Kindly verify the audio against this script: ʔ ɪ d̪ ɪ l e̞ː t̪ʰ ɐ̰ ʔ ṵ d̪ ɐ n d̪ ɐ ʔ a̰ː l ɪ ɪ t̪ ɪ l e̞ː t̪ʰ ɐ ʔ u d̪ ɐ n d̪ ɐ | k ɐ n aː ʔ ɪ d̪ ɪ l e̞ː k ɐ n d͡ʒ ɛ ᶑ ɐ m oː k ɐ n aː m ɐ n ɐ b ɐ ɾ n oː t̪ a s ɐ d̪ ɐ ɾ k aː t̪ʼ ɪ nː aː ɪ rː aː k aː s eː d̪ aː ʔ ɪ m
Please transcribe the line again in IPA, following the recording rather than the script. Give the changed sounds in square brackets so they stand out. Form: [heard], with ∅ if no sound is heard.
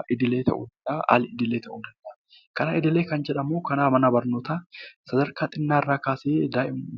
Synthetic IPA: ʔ ɪ d̪ ɪ l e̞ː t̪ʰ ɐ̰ ʔ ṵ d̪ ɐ n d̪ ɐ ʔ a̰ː l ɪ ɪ [d̪] ɪ l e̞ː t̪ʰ ɐ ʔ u d̪ ɐ n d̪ ɐ | k ɐ n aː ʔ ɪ d̪ ɪ l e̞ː k ɐ n d͡ʒ ɛ ᶑ ɐ m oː k ɐ n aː m ɐ n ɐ b ɐ ɾ n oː t̪ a s ɐ d̪ ɐ ɾ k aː t̪ʼ ɪ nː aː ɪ rː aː k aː s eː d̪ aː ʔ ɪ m